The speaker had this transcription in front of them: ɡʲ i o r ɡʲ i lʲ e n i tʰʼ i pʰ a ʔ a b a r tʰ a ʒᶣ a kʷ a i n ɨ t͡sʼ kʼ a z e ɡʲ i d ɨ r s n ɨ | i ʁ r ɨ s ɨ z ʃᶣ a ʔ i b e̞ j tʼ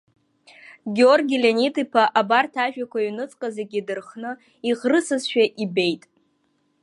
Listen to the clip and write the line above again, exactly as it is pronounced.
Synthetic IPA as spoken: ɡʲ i o r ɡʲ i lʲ e n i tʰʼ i pʰ a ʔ a b a r tʰ a ʒᶣ a kʷ a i n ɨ t͡sʼ qʼ a z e ɡʲ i d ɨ r χ n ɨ | i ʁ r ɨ s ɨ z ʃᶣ a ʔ i b e̞ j tʼ